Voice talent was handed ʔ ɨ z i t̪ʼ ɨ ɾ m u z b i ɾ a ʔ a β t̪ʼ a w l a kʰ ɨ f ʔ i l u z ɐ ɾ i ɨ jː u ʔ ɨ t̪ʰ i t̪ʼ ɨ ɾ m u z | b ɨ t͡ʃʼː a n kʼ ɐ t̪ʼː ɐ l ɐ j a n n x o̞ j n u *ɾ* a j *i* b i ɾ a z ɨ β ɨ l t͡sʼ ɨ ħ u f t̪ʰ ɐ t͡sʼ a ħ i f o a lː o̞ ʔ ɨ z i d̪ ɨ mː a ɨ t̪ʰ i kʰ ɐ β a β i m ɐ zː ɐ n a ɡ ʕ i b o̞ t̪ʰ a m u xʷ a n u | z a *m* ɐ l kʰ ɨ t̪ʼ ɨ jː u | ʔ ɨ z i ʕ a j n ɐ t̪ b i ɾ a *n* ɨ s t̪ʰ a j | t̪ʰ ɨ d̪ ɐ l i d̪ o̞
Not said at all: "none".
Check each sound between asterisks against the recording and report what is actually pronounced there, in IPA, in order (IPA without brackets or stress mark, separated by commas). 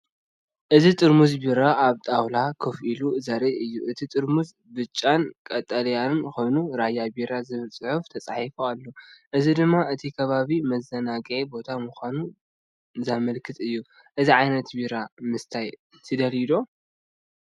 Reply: ɾ, a, m, m